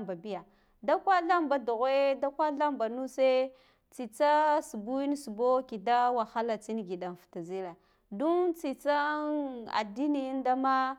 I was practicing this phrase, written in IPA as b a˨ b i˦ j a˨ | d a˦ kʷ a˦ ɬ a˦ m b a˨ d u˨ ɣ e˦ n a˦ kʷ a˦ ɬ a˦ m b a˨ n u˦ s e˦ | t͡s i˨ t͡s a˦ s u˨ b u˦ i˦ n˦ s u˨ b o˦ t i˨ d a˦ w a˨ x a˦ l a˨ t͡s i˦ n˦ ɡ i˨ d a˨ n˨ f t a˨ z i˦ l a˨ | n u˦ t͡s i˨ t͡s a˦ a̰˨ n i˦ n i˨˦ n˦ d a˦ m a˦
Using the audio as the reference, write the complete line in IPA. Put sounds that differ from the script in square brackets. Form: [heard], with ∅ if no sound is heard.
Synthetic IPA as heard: b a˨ b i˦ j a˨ | d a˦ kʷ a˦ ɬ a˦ m b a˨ d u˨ ɣ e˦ [d] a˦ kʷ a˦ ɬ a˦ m b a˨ n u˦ s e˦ | t͡s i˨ t͡s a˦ s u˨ b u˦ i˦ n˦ s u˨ b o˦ [k] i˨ d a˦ w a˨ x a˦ l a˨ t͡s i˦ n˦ ɡ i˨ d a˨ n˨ f t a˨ z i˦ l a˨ | [d] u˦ t͡s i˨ t͡s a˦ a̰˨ [d] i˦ n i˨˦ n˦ d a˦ m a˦